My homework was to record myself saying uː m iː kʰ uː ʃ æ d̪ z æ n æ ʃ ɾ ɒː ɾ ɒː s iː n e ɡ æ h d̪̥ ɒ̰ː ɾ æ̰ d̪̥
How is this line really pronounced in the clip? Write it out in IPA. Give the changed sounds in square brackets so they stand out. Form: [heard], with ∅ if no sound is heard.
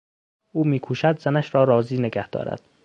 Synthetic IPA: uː m iː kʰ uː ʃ æ d̪ z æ n æ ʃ ɾ ɒː ɾ ɒː [z] iː n e ɡ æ h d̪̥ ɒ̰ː ɾ æ̰ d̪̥